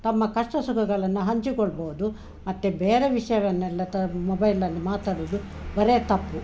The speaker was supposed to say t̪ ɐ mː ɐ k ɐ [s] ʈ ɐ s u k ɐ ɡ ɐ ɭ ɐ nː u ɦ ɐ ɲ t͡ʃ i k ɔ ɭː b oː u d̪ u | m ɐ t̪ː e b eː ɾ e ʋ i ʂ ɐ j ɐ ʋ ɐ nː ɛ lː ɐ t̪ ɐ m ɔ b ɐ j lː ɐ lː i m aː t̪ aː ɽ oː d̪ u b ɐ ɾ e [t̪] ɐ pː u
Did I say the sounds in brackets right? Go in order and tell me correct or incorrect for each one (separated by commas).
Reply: incorrect, correct